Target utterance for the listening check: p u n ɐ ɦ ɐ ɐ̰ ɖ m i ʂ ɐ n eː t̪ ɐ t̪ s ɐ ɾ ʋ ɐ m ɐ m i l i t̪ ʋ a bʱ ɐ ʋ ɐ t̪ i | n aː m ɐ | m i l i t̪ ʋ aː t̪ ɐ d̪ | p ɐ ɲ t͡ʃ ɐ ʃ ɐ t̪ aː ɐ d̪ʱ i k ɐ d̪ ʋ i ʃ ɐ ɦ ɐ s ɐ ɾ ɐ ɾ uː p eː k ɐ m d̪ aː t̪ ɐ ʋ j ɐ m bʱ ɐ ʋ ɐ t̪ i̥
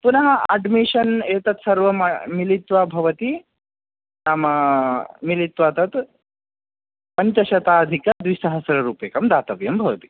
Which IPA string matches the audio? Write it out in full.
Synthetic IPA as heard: p u n ɐ ɦ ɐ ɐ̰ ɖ m i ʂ ɐ n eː t̪ ɐ t̪ s ɐ ɾ ʋ ɐ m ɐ m i l i t̪ ʋ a bʱ ɐ ʋ ɐ t̪ i | n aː m ɐ | m i l i t̪ ʋ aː t̪ ɐ t̪ | p ɐ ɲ t͡ʃ ɐ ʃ ɐ t̪ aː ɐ d̪ʱ i k ɐ d̪ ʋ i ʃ ɐ ɦ ɐ s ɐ ɾ ɐ ɾ uː p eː k ɐ m d̪ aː t̪ ɐ ʋ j ɐ m bʱ ɐ ʋ ɐ t̪ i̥